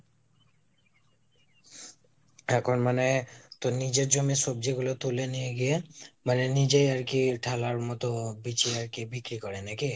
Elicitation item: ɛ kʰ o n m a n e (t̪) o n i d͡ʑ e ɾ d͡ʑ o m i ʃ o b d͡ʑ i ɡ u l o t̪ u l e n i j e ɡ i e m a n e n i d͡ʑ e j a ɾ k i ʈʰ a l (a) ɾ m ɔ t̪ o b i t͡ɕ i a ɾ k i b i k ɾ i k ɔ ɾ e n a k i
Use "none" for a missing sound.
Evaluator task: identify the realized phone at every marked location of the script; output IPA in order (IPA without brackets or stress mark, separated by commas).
t̪, a